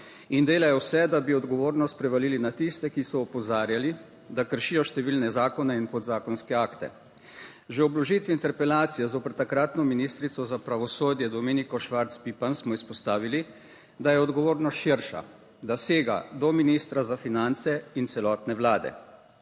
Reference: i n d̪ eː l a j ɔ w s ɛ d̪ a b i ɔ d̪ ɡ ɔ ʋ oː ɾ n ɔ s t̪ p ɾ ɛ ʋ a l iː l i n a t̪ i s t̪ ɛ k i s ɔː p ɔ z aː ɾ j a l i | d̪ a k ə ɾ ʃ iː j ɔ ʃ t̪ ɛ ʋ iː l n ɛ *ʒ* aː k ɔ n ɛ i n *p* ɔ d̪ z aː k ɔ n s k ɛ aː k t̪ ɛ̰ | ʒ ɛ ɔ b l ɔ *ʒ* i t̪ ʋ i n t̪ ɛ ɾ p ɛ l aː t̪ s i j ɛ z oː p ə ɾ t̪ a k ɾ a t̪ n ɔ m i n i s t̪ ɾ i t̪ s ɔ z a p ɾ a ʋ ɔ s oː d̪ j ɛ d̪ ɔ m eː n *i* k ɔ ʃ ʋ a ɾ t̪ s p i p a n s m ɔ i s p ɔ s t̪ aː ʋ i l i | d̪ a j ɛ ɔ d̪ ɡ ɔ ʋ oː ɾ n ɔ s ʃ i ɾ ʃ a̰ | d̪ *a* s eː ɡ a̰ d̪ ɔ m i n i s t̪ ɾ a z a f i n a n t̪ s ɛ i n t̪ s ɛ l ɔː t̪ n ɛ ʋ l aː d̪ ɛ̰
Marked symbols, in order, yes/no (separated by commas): no, yes, yes, yes, yes